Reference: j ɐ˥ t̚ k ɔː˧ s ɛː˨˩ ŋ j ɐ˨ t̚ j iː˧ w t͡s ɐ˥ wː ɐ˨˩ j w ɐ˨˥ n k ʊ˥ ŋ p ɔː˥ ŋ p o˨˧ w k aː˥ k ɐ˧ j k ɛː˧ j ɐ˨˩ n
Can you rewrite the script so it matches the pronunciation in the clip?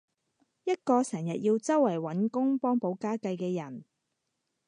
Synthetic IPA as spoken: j ɐ˥ t̚ k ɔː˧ s ɛː˨˩ ŋ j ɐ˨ t̚ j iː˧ w t͡s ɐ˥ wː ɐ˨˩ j w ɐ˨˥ n k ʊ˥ ŋ p ɔː˥ ŋ p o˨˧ w k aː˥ k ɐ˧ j k ɛː˧ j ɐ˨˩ n